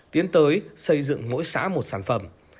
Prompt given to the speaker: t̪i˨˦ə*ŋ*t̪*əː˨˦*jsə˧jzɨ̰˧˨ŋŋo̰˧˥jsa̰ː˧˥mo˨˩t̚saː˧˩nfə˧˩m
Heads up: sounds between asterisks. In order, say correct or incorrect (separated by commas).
incorrect, correct